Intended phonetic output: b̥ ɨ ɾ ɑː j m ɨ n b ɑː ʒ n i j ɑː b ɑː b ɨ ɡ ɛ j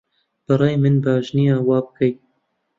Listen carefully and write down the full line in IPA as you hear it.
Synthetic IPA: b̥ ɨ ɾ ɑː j m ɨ n b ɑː ʒ n i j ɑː w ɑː b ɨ k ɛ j